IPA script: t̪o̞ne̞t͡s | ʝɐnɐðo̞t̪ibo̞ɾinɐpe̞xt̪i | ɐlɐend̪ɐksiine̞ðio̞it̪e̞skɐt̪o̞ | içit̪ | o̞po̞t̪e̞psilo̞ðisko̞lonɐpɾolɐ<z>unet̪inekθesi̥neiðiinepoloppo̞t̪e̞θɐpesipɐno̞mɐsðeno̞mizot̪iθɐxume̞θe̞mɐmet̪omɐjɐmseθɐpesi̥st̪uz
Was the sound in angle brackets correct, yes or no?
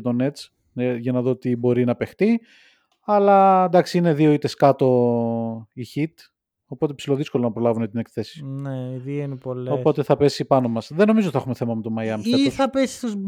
no